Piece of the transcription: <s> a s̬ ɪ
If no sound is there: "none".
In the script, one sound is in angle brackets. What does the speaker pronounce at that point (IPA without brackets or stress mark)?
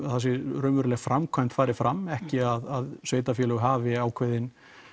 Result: θ